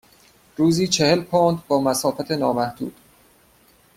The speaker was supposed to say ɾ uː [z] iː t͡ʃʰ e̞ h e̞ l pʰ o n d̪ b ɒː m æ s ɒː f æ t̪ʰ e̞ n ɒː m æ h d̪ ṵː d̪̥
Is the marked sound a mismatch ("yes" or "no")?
no